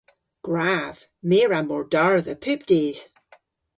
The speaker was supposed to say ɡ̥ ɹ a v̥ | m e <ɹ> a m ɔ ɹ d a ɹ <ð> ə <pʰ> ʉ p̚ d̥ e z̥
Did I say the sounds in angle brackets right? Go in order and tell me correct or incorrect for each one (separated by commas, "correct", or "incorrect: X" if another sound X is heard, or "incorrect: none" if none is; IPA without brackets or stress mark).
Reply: correct, correct, correct